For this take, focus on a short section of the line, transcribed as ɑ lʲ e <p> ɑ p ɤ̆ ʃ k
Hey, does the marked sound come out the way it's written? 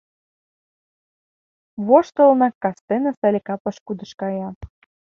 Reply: no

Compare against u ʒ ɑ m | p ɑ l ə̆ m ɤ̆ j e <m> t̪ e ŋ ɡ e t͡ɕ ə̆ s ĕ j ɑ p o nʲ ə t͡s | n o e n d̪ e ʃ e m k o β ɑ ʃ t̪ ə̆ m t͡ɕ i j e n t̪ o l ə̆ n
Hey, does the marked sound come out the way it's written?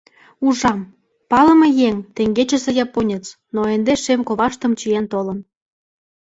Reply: no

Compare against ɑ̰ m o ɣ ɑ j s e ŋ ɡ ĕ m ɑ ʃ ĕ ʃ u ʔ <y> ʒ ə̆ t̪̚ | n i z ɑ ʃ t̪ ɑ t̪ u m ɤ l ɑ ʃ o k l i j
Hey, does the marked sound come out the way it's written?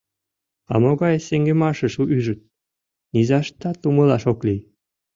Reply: yes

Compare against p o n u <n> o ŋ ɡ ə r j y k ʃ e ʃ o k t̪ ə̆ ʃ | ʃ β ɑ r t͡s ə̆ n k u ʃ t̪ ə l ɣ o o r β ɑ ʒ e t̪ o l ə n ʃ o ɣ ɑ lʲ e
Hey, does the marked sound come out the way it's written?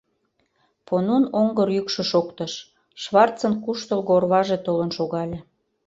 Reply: yes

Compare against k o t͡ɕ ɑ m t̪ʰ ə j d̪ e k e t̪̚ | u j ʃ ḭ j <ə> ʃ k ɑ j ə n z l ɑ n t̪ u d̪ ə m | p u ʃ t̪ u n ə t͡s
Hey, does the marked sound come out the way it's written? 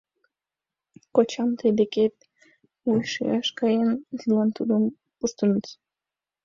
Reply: no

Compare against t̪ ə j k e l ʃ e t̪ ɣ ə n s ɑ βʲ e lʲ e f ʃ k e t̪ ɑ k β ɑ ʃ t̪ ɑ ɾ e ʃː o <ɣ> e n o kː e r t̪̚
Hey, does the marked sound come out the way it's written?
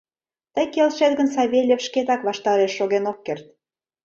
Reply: yes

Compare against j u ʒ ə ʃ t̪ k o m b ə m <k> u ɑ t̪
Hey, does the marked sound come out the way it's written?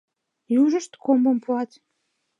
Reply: no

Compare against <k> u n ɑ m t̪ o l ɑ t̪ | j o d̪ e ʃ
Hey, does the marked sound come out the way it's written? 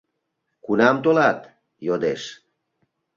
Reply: yes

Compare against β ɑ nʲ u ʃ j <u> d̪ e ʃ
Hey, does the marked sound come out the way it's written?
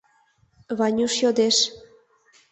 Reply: no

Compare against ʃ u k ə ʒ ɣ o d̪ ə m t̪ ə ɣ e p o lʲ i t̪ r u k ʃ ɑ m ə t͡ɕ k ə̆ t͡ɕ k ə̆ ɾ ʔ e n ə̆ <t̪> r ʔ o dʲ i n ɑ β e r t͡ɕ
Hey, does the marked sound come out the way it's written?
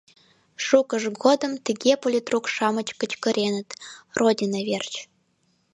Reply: yes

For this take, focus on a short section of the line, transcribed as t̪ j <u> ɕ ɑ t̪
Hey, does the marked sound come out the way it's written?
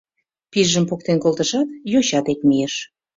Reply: no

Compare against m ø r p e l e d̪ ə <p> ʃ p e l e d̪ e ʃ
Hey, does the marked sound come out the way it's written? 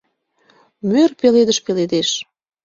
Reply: no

